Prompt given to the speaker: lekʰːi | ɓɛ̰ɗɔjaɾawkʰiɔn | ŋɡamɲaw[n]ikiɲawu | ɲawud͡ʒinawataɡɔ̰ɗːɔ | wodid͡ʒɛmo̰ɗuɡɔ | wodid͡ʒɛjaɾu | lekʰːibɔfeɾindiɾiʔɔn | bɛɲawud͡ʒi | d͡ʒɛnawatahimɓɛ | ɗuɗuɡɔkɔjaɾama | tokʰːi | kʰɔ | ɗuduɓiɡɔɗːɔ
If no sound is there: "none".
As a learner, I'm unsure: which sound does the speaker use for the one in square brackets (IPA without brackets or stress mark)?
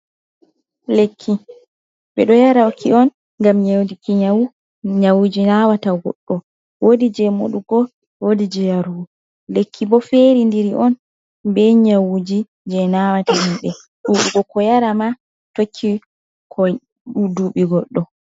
d